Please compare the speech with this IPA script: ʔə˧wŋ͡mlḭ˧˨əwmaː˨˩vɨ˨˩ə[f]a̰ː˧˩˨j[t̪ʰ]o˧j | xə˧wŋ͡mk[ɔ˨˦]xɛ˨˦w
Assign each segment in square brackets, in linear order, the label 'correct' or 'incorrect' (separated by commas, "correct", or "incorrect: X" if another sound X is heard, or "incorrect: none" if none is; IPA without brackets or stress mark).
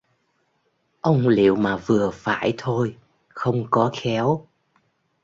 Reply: correct, correct, correct